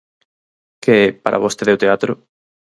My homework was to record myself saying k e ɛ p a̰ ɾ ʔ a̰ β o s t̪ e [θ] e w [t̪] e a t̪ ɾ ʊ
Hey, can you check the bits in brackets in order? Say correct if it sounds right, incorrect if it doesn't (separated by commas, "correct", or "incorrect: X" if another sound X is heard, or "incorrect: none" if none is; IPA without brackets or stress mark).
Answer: incorrect: ð, correct